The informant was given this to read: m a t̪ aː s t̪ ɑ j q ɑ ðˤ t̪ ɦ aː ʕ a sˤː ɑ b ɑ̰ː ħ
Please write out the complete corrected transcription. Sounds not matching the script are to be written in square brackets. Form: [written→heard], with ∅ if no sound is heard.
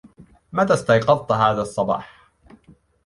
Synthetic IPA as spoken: m a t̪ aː s t̪ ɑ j q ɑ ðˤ t̪ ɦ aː [ʕ→ð] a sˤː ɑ b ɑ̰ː ħ